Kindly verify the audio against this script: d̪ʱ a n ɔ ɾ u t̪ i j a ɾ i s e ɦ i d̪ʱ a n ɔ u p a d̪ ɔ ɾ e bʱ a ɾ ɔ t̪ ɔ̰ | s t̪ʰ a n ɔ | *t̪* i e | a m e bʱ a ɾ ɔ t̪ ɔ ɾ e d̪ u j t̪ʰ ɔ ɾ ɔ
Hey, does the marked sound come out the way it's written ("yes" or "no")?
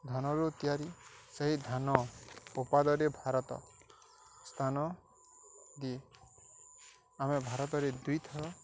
no